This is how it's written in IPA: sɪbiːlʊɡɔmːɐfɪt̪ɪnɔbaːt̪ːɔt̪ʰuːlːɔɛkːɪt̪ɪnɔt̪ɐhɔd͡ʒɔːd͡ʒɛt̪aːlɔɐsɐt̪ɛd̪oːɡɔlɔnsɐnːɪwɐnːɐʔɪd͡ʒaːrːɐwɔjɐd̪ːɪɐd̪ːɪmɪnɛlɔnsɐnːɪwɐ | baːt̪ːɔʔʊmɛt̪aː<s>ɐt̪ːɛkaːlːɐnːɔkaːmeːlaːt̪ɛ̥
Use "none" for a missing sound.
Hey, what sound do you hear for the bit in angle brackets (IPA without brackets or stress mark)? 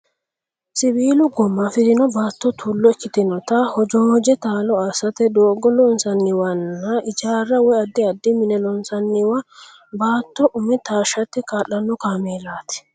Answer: ʃ